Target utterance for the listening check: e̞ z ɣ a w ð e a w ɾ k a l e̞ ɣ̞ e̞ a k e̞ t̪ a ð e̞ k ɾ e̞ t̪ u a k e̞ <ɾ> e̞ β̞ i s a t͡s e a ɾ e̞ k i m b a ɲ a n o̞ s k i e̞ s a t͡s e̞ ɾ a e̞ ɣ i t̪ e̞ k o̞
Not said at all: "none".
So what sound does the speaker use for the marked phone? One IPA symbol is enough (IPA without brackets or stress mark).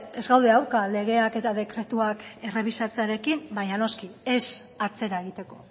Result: r